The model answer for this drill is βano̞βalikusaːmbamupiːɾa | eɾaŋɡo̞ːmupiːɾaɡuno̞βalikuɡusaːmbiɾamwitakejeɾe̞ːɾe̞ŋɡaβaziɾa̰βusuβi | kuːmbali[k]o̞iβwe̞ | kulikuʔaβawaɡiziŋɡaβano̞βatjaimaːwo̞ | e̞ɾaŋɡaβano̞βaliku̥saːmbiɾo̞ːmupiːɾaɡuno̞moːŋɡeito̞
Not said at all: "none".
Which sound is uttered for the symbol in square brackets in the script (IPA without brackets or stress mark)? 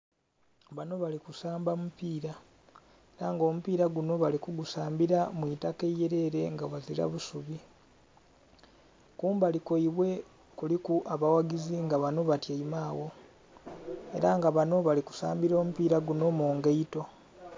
k